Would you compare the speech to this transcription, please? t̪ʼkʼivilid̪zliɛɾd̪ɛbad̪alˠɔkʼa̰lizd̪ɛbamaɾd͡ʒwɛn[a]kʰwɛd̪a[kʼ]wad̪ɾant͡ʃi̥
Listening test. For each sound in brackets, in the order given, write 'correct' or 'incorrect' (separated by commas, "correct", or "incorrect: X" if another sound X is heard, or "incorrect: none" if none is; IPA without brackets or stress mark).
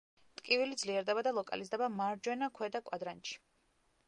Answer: correct, correct